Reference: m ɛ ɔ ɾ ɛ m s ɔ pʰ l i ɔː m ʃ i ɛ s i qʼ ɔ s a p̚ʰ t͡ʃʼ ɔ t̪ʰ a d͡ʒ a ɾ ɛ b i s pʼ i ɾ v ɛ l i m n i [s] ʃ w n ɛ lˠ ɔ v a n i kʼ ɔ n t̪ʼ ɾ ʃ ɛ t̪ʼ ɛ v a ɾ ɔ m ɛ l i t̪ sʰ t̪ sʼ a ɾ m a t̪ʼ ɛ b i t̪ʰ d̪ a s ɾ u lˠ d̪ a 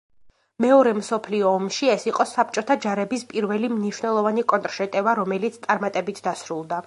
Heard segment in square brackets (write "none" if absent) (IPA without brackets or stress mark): none